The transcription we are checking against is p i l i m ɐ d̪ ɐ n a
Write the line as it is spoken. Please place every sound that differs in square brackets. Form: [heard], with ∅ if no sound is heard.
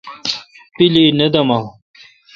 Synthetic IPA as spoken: p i l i [n] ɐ d̪ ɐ [m] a